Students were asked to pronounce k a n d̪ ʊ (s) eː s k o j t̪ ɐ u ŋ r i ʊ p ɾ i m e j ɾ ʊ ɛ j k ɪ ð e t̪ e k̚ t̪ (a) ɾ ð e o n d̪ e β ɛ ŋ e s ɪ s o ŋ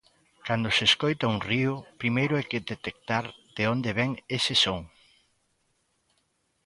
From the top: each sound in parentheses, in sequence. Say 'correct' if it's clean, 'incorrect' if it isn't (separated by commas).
correct, correct